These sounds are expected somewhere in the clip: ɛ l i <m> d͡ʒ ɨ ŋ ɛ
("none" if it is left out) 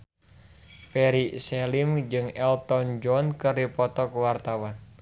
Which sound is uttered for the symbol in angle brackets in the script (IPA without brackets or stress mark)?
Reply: m